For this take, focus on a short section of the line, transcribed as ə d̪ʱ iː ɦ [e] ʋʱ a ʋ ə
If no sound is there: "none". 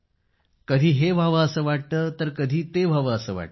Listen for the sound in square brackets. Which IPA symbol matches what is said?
e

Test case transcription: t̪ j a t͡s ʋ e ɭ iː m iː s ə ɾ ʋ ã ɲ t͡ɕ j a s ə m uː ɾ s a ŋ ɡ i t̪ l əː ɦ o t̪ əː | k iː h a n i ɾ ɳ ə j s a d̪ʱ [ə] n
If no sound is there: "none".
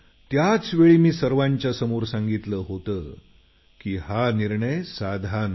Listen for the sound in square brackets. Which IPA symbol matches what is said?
a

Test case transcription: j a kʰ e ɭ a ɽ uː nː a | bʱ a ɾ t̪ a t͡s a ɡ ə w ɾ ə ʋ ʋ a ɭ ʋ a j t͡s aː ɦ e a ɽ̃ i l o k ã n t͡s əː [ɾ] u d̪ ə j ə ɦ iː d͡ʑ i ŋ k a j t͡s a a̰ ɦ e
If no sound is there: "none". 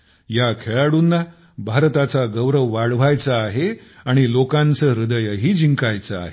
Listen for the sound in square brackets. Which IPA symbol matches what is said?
ɾ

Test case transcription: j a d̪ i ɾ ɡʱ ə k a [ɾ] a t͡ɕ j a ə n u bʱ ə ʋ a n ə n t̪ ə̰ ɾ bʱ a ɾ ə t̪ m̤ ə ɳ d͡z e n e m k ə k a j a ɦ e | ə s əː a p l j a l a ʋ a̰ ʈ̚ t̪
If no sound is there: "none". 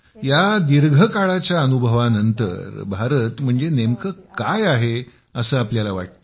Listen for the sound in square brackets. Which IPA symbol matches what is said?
ɭ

